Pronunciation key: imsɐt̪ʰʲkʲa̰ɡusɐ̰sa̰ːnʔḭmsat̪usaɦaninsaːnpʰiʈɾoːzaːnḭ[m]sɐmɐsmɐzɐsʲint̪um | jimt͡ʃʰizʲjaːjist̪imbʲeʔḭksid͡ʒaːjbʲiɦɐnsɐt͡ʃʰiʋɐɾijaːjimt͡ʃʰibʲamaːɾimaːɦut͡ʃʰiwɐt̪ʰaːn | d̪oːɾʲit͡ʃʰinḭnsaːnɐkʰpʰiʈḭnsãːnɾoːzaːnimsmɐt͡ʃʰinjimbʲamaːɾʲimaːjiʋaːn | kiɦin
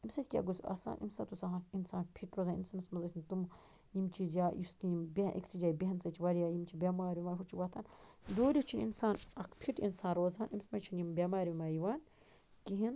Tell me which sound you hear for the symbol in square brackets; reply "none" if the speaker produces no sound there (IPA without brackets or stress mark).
n